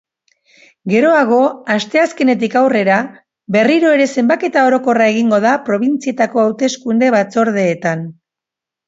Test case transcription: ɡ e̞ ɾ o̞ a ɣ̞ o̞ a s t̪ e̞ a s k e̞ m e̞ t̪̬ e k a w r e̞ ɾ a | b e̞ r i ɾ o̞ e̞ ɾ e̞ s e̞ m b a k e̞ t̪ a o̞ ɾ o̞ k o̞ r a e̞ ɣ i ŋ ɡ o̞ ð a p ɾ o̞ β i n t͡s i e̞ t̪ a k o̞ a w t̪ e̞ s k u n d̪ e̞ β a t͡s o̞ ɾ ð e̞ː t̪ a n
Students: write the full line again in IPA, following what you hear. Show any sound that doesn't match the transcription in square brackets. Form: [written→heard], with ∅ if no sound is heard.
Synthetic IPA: ɡ e̞ ɾ o̞ a ɣ̞ o̞ a s t̪ e̞ a s k e̞ [m→n] e̞ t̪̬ [e→i] k a w r e̞ ɾ a | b e̞ r i ɾ o̞ e̞ ɾ e̞ s e̞ m b a k e̞ t̪ a o̞ ɾ o̞ k o̞ r a e̞ ɣ i ŋ ɡ o̞ ð a p ɾ o̞ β i n t͡s i e̞ t̪ a k o̞ a w t̪ e̞ s k u n d̪ e̞ β a t͡s o̞ ɾ ð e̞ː t̪ a n

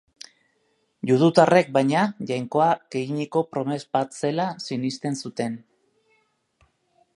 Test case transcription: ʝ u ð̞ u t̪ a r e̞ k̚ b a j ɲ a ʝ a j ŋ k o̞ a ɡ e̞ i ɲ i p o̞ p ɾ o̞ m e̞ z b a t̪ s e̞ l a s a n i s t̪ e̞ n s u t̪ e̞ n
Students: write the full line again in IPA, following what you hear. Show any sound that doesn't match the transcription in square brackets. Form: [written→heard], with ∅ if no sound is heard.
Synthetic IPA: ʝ u ð̞ u t̪ a r e̞ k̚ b a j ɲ a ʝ a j ŋ k o̞ a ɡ e̞ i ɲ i [p→k] o̞ p ɾ o̞ m e̞ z b a t̪ s e̞ l a s [a→i] n i s t̪ e̞ n s u t̪ e̞ n

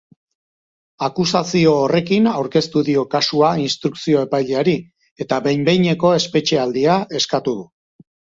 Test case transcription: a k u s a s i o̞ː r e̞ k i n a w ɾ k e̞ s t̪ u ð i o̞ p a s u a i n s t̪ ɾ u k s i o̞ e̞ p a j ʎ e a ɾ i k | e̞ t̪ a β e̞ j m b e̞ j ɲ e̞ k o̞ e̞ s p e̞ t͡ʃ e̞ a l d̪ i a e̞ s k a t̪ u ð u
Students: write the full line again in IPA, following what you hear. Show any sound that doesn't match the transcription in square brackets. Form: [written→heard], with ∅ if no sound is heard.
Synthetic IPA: a k u s a s i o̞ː r e̞ k i n a w ɾ k e̞ s t̪ u ð i o̞ [p→k] a s u a i n s t̪ ɾ u k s i o̞ e̞ p a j ʎ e a ɾ i [k→∅] | e̞ t̪ a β e̞ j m b e̞ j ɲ e̞ k o̞ e̞ s p e̞ t͡ʃ e̞ a l d̪ i a e̞ s k a t̪ u ð u

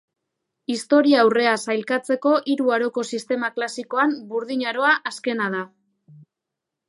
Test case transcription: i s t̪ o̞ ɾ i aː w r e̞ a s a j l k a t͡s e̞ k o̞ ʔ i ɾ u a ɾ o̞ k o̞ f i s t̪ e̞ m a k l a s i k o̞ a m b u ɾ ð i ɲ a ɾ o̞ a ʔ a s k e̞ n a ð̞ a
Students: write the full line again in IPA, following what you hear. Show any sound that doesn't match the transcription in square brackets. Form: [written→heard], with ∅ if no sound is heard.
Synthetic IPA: i s t̪ o̞ ɾ i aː w r e̞ a s a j l k a t͡s e̞ k o̞ ʔ i ɾ u a ɾ o̞ k o̞ [f→s] i s t̪ e̞ m a k l a s i k o̞ a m b u ɾ ð i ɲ a ɾ o̞ a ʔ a s k e̞ n a ð̞ a

